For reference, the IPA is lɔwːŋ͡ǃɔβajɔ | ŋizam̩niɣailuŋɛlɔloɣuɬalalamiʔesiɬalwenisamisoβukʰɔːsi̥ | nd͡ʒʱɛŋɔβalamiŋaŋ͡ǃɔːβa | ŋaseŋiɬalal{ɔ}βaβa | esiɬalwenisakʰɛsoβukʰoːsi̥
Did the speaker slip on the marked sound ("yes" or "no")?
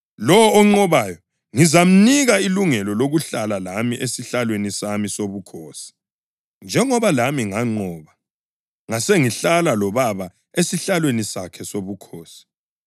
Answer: no